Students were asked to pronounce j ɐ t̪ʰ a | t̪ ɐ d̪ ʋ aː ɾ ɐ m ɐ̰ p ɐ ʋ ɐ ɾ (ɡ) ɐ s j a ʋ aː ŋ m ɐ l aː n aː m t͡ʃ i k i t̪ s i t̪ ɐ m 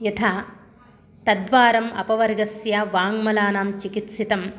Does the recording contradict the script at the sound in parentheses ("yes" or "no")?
no